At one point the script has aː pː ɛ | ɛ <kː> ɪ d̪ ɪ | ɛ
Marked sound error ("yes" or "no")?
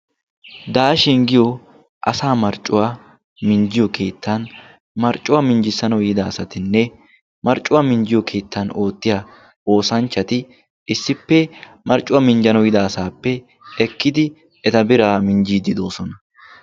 no